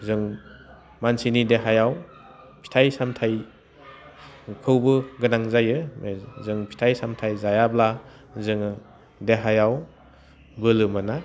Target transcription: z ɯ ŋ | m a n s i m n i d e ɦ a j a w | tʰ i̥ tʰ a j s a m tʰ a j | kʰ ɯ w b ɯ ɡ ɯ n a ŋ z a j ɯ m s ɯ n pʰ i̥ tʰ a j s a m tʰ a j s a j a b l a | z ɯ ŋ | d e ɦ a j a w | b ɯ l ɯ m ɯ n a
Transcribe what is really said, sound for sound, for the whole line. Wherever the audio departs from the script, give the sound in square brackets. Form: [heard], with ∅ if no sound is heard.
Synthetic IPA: z ɯ ŋ | m a n s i [∅] n i d e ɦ a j a w | [pʰ] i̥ tʰ a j s a m tʰ a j | kʰ ɯ w b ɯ ɡ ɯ n a ŋ z a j ɯ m [z] ɯ [ŋ] pʰ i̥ tʰ a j s a m tʰ a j [z] a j a b l a | z ɯ ŋ | d e ɦ a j a w | b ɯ l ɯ m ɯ n a